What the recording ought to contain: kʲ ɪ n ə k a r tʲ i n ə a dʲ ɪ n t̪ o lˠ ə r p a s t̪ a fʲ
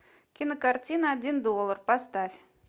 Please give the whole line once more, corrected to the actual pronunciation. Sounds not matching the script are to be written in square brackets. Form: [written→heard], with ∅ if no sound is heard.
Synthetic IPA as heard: kʲ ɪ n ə k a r tʲ i n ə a dʲ [ɪ→i] n [t̪→d̪] o lˠ ə r p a s t̪ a fʲ